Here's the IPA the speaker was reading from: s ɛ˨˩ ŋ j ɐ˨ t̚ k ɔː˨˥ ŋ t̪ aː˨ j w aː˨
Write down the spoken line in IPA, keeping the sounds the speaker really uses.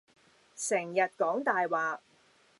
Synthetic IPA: s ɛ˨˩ ŋ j ɐ˨ t̚ k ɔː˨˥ ŋ t̪ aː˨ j w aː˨